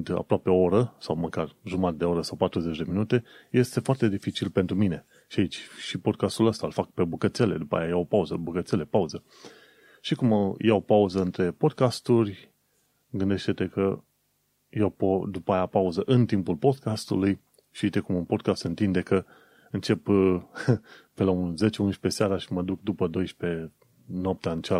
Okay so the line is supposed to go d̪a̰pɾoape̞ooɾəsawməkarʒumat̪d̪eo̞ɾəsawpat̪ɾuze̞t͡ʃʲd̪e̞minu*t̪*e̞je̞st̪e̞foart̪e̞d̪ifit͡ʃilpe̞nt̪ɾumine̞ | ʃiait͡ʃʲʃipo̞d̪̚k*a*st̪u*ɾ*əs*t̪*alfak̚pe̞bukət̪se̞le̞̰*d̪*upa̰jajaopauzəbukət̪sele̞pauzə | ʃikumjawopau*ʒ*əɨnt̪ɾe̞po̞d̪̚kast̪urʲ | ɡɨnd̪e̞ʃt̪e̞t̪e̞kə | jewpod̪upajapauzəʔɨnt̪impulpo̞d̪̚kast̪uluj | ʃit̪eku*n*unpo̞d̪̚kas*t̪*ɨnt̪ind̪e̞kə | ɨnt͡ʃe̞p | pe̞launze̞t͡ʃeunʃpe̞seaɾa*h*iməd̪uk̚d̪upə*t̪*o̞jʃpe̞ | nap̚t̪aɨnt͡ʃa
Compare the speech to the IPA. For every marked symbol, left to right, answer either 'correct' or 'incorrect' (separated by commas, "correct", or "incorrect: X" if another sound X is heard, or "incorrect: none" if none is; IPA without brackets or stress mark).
correct, correct, incorrect: l, correct, correct, incorrect: z, incorrect: m, correct, incorrect: ʃ, incorrect: d̪